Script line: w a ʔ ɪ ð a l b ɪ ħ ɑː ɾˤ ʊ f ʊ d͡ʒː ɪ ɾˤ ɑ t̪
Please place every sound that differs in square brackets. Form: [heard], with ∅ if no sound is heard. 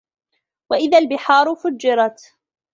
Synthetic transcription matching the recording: w a ʔ ɪ ð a l b ɪ ħ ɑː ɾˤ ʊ f ʊ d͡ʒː ɪ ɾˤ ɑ t̪